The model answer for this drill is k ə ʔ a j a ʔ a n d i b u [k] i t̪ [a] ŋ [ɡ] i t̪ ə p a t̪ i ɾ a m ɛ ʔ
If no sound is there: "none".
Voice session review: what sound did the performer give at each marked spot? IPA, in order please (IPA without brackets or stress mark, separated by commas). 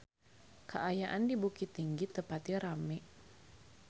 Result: k, i, ɡ